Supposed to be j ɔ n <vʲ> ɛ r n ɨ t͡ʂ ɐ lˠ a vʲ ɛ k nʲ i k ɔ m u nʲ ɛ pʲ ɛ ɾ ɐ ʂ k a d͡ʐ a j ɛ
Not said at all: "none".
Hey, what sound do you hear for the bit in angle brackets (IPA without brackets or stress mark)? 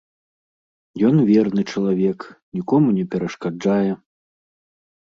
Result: vʲ